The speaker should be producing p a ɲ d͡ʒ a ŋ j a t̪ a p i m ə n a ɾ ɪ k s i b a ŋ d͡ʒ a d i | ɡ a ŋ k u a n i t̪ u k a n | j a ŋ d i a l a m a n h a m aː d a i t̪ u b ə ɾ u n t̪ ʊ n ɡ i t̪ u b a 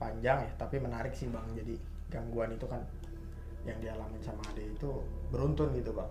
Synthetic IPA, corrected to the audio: p a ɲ d͡ʒ a ŋ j a t̪ a p i m ə n a ɾ ɪ k s i b a ŋ d͡ʒ a d i | ɡ a ŋ ɡ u a n i t̪ u k a n | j a ŋ d i a l a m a n s a m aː d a i t̪ u b ə ɾ u n t̪ ʊ n ɡ i t̪ u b a